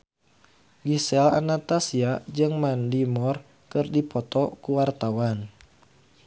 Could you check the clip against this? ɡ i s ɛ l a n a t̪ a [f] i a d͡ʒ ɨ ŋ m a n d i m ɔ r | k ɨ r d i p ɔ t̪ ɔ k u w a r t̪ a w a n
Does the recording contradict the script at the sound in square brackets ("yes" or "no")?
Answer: yes